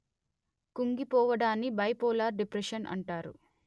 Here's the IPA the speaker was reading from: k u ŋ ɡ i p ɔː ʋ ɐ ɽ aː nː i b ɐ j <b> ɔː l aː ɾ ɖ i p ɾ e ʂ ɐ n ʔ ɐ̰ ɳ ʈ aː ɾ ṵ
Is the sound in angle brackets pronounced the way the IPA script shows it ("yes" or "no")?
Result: no